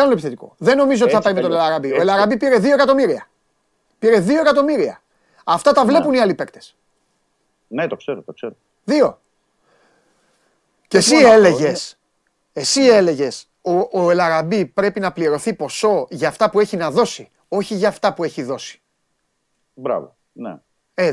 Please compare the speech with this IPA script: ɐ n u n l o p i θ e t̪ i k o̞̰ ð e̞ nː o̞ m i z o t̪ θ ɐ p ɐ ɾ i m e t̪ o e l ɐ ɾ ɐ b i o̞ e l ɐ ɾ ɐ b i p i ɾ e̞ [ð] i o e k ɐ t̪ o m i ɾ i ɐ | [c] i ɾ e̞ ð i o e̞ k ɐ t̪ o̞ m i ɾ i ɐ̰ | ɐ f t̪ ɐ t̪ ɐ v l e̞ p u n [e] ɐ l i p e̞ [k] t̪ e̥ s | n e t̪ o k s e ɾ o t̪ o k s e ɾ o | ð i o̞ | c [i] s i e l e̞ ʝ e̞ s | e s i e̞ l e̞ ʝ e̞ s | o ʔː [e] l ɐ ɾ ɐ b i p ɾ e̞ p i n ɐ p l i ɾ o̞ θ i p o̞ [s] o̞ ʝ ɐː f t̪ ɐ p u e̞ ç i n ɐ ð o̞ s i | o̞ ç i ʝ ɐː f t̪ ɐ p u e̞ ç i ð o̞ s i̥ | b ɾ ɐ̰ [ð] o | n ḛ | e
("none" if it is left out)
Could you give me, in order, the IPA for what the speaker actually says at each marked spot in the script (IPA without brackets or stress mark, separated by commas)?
ð, p, i, k, e, e, s, v